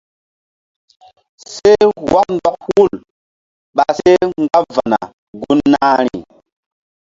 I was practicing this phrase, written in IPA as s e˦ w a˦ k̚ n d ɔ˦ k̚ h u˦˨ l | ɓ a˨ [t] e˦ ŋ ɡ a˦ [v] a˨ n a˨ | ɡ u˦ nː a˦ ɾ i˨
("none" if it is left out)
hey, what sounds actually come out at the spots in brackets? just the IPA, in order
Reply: s, v

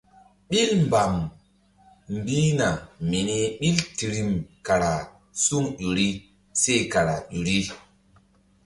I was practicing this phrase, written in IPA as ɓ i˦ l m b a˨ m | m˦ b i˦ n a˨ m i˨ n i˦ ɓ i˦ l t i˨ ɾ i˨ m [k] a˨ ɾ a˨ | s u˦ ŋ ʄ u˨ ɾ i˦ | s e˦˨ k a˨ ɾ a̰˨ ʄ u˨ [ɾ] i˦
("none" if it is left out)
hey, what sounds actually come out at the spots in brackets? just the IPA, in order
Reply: k, ɾ

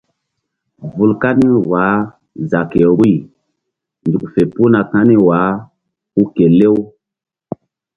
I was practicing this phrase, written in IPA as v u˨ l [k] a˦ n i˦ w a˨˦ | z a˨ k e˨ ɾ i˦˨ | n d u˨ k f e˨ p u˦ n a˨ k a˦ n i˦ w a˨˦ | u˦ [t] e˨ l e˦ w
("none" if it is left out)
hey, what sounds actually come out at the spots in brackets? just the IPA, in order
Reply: k, k

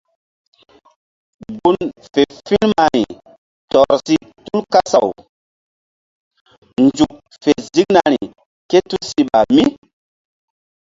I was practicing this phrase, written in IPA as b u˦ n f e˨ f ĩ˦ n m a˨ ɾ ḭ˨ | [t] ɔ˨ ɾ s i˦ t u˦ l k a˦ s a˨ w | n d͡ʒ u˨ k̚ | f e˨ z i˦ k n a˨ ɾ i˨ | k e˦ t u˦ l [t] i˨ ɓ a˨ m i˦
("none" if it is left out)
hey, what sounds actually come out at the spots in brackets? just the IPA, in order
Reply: t, s

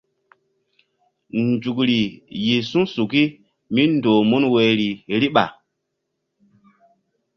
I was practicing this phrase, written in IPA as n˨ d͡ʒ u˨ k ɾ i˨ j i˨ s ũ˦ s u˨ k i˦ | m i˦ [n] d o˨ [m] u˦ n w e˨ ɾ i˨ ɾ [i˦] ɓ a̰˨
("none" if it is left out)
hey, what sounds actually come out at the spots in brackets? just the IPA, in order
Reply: n, m, i˦

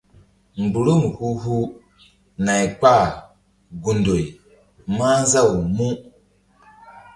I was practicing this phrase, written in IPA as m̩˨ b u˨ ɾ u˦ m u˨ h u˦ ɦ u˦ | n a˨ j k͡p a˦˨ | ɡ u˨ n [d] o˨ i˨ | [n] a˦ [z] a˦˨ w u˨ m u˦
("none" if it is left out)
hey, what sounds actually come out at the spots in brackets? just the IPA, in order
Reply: d, m, z

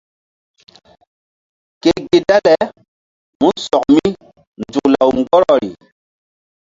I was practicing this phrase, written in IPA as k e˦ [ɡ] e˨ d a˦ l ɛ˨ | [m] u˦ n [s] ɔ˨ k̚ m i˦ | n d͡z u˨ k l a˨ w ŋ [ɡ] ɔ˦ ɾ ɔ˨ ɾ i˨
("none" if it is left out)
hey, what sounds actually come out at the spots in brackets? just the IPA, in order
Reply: ɡ, m, s, ɡ

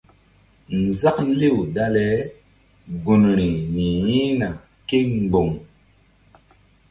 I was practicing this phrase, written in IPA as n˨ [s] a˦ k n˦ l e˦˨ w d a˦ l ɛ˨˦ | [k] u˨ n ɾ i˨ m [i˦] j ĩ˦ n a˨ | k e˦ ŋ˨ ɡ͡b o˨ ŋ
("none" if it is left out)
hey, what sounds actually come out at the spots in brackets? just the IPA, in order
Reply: z, ɡ, i˨

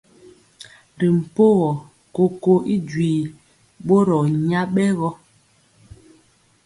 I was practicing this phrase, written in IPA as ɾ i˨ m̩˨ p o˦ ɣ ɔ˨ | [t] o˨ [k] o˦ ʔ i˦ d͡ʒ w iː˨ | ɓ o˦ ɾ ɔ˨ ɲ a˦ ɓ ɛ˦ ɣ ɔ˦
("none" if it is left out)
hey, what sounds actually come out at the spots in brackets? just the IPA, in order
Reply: k, k

